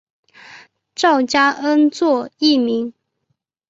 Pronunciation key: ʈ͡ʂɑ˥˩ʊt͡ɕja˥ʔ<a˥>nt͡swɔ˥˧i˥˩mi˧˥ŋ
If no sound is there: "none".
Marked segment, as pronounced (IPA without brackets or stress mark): ə˥